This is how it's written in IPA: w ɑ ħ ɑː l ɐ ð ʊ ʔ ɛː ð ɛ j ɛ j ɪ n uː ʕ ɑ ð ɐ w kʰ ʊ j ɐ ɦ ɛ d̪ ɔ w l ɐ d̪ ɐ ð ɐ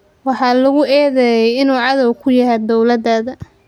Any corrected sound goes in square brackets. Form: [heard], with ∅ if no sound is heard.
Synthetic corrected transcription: w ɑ ħ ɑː l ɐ [ɣ] ʊ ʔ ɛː ð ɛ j ɛ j ɪ n uː ʕ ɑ ð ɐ w kʰ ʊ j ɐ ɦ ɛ d̪ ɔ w l ɐ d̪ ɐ ð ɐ